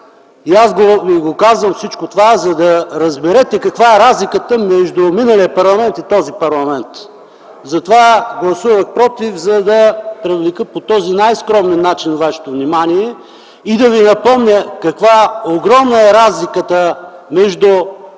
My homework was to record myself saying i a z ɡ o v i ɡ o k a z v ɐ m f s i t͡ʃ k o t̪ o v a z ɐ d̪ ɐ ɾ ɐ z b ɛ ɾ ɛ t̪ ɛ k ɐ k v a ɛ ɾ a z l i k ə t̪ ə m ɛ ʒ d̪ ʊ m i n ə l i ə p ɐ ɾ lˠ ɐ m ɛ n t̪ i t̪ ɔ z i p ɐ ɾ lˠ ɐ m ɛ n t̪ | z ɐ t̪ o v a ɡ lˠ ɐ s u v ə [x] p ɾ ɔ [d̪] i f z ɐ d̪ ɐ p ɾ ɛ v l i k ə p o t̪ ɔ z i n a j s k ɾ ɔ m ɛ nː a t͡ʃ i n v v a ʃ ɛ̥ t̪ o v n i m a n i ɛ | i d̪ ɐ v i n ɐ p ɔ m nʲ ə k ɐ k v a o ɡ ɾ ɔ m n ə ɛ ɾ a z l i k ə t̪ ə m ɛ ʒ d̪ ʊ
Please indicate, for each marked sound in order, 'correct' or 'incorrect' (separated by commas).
correct, incorrect